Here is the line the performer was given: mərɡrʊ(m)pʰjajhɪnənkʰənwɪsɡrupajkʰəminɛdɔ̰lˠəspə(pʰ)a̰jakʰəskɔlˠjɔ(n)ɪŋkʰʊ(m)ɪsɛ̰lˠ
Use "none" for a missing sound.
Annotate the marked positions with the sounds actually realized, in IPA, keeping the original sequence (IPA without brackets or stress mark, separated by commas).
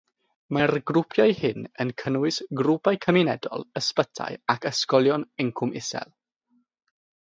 none, tʰ, n, m